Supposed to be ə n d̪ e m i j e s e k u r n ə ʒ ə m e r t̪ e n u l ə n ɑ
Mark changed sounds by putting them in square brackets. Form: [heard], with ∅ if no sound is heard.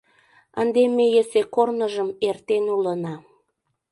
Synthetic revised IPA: ə n d̪ e m [e] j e s e k [o] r n ə ʒ ə m e r t̪ e n u l ə n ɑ

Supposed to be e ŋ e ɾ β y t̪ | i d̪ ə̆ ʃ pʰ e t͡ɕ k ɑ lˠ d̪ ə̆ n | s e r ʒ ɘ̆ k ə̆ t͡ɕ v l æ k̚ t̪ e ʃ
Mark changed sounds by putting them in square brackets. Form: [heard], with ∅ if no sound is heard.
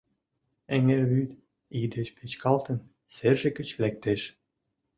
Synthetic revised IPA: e ŋ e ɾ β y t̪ | i d̪ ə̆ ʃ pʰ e t͡ɕ k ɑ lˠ [t̪] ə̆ n | s e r ʒ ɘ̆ k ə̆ t͡ɕ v l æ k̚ t̪ e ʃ

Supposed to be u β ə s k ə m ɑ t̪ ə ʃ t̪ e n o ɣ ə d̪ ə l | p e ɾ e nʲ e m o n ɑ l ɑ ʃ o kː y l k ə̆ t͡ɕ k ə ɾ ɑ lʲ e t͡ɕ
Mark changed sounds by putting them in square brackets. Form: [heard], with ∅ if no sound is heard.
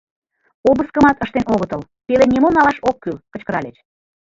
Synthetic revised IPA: [o] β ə s k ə m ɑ t̪ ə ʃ t̪ e n o ɣ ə [t̪] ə l | p e [l] e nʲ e m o n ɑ l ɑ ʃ o kː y l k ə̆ t͡ɕ k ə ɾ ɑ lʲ e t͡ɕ

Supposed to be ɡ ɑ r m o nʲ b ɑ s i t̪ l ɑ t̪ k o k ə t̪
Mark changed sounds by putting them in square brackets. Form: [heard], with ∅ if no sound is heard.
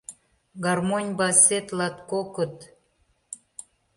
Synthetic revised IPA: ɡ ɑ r m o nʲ b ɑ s [e] t̪ l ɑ t̪ k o k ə t̪

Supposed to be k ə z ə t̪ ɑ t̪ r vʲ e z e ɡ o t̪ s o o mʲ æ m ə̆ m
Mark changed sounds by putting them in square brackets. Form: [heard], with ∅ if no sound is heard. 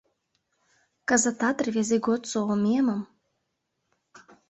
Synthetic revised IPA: k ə z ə t̪ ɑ t̪ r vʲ e z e ɡ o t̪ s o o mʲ [e] m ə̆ m

